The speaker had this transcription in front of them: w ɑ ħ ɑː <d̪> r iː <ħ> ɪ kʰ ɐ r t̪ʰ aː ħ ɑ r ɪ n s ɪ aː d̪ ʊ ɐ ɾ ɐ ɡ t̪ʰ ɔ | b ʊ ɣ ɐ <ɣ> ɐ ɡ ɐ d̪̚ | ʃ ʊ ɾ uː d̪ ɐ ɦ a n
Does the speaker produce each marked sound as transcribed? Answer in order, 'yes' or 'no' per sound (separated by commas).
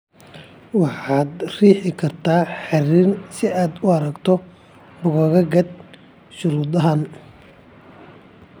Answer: yes, yes, yes